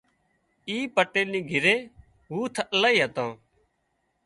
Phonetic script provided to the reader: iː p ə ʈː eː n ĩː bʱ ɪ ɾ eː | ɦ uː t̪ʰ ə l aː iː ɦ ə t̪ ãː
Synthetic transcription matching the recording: iː p ə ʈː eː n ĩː ɡʱ ɪ ɾ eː | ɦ uː t̪ʰ ə l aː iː ɦ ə t̪ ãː

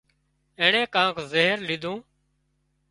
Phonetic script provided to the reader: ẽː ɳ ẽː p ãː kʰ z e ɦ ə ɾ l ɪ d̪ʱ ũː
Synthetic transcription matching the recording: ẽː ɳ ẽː k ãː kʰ z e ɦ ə ɾ l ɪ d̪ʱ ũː

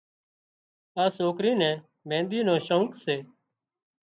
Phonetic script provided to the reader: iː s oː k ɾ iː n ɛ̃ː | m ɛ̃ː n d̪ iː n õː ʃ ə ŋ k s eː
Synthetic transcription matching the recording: aː s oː k ɾ iː n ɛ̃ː | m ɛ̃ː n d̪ iː n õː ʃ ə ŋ k s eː

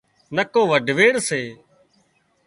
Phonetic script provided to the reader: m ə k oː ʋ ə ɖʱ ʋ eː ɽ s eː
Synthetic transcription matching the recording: n ə k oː ʋ ə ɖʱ ʋ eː ɽ s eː

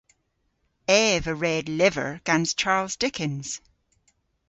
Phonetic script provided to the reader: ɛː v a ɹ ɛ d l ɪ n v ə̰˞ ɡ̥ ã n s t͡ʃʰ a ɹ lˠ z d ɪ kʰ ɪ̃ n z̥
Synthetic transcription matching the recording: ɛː v ə ɹ ɛ d l ɪ v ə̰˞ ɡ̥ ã n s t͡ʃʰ a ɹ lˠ z d ɪ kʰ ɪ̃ n z̥

